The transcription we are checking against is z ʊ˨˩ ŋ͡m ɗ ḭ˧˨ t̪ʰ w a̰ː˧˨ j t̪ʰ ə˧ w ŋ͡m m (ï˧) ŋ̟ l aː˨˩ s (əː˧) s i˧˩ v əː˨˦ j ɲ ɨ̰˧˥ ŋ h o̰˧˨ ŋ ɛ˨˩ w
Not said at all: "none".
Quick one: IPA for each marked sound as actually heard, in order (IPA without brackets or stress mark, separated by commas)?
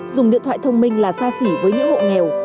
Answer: ï˧, aː˧